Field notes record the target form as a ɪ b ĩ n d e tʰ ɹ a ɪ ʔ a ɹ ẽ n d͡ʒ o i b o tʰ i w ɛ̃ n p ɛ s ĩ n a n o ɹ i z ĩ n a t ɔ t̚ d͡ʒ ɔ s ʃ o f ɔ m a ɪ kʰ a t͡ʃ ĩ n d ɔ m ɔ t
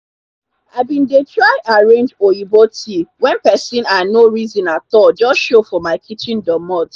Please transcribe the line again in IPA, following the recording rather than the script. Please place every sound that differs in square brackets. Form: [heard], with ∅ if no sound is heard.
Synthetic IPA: a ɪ b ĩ n d e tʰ ɹ a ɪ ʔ a ɹ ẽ n d͡ʒ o i b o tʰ i w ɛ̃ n p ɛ s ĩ n a n o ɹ i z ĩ n a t ɔ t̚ d͡ʒ ɔ s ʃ o f ɔ m a ɪ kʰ [i] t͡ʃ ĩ n d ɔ m ɔ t